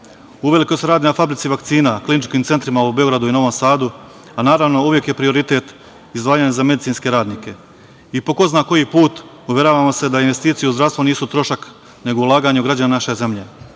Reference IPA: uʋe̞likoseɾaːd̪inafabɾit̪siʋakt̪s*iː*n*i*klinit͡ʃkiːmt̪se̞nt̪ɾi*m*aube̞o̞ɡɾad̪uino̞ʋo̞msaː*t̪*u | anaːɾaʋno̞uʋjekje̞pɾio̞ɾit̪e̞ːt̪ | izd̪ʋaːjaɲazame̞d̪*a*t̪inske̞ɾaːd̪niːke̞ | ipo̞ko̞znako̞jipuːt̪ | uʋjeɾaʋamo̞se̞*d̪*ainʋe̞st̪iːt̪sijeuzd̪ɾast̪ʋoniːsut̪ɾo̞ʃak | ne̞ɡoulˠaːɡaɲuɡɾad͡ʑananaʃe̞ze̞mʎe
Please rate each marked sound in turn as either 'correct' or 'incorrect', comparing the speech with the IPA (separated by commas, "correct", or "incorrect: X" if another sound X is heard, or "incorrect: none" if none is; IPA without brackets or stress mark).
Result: correct, incorrect: a, correct, incorrect: d̪, incorrect: i, correct